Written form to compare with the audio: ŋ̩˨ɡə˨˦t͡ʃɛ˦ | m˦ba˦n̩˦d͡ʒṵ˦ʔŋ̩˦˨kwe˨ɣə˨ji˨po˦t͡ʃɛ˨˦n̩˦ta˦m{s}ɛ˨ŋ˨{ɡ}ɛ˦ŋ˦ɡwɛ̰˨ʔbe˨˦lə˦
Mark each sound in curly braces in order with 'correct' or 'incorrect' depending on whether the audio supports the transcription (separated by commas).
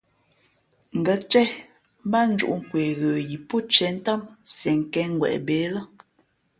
correct, incorrect